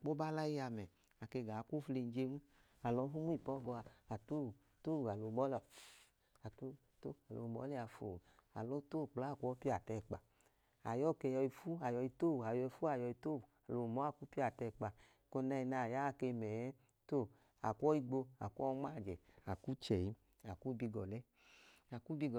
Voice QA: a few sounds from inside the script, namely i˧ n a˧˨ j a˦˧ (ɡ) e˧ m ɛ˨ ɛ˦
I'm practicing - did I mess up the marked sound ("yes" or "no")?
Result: yes